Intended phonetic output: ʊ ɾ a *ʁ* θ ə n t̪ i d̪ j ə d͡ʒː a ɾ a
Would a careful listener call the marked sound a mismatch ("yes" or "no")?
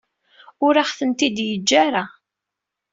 yes